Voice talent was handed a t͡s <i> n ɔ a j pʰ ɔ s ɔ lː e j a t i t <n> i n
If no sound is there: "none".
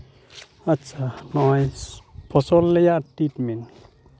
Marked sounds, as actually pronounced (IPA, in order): a, m

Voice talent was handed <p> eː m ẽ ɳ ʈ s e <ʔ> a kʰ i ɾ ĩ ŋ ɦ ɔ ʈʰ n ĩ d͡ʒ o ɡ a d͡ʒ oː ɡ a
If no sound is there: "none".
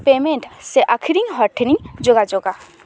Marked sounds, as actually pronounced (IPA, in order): p, ʔ

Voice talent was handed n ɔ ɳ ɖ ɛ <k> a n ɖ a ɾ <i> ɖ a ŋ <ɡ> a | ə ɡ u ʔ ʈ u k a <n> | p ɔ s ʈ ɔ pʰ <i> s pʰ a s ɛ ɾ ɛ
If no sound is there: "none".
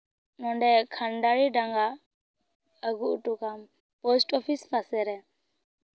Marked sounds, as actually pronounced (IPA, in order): kʰ, i, ɡ, m, i

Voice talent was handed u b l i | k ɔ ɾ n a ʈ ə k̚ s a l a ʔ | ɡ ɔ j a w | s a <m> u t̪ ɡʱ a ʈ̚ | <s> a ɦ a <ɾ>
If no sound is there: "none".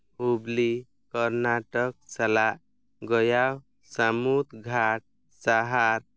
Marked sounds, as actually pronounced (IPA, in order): m, s, ɾ

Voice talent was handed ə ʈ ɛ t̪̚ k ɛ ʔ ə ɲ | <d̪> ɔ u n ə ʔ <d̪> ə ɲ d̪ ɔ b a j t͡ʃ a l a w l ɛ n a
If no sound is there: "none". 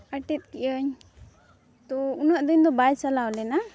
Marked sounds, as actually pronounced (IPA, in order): t̪, d̪

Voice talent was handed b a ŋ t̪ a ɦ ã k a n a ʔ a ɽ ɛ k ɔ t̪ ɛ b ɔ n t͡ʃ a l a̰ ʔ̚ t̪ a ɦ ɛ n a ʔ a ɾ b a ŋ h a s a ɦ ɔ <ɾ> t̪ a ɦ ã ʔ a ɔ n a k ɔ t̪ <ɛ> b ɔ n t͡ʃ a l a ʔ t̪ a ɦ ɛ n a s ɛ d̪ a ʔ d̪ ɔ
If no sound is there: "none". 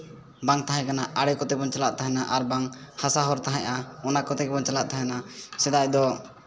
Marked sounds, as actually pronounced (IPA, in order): ɾ, ɛ

